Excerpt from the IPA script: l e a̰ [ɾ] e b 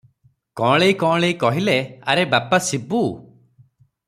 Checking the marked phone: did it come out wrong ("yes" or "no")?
no